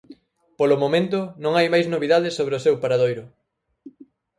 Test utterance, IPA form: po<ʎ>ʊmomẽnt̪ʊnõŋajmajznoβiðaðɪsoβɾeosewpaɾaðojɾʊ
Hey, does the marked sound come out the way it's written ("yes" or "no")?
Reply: no